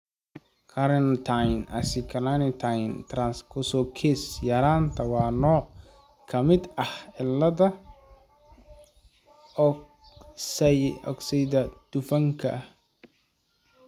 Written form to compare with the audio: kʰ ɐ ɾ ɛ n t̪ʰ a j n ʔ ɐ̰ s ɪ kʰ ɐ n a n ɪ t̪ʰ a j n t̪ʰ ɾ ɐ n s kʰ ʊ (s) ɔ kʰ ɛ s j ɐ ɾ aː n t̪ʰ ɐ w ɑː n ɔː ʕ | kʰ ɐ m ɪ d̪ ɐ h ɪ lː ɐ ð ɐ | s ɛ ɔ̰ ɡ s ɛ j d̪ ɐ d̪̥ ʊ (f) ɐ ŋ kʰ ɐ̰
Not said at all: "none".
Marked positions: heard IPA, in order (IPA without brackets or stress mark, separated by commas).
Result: s, f